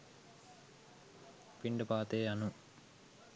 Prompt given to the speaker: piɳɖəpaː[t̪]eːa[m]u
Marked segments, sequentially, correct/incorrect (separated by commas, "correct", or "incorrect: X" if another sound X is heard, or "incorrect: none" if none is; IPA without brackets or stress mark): correct, incorrect: n